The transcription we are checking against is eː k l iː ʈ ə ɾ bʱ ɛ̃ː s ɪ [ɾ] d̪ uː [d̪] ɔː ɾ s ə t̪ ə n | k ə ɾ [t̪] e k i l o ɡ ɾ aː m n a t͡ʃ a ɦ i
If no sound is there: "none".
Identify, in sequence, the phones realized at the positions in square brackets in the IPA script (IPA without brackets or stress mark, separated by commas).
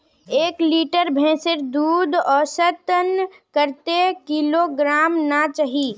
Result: ɾ, d̪, t̪